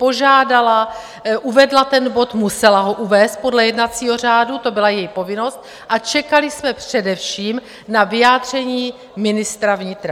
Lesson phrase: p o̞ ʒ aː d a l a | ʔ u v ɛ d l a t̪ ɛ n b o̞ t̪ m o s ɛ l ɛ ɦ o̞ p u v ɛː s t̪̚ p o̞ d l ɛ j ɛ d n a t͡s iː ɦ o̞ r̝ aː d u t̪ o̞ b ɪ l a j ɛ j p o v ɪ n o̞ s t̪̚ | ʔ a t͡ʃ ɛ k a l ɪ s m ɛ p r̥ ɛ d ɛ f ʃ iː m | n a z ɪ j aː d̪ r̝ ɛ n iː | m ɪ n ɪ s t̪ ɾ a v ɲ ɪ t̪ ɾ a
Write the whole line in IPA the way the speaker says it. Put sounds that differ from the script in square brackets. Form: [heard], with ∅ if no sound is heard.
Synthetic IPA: p o̞ ʒ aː d a l a | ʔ u v ɛ d l a t̪ ɛ n b o̞ t̪ m [u] s ɛ l [a] ɦ o̞ [ʔ] u v ɛː s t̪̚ p o̞ d l ɛ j ɛ d n a t͡s iː ɦ o̞ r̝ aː d u t̪ o̞ b ɪ l a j ɛ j p o v ɪ n o̞ s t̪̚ | ʔ a t͡ʃ ɛ k a l ɪ s m ɛ p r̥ ɛ d ɛ f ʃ iː m | n a [v] ɪ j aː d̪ r̝ ɛ [ɲ] iː | m ɪ n ɪ s t̪ ɾ a v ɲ ɪ t̪ ɾ a